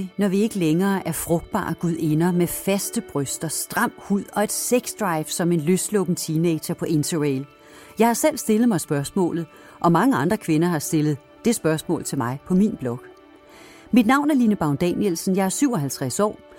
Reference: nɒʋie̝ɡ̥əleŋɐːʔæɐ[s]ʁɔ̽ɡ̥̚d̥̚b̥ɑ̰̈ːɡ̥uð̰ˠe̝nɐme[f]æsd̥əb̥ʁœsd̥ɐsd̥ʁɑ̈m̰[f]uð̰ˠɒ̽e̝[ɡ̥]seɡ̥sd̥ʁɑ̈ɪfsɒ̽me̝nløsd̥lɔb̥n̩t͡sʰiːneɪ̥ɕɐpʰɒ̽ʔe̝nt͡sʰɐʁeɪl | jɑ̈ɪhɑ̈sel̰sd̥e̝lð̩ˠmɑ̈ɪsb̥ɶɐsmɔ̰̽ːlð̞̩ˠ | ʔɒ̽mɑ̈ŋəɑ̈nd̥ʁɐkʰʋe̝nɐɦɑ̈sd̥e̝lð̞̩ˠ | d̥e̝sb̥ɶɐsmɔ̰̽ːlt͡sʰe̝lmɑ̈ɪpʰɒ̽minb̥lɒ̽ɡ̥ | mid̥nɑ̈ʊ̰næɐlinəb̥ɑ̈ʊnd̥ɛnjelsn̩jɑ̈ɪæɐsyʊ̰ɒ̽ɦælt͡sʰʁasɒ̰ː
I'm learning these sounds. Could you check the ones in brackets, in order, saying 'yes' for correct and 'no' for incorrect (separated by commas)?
no, yes, no, no